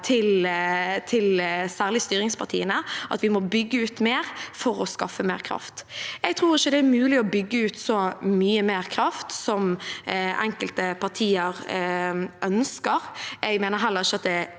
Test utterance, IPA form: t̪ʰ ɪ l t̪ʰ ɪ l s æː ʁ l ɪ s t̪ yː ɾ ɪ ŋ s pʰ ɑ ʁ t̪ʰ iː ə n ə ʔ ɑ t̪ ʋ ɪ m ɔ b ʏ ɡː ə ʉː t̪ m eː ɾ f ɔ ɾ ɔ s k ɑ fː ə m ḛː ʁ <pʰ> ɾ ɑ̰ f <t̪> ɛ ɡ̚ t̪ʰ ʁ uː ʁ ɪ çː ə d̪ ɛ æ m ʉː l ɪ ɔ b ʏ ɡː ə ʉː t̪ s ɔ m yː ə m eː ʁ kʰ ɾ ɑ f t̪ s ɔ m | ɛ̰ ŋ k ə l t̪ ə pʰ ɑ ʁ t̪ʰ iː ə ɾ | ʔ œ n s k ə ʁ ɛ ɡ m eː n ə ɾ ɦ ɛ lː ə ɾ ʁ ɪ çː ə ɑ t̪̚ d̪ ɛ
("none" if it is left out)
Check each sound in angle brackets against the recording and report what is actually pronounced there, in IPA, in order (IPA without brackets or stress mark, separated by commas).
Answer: kʰ, t̪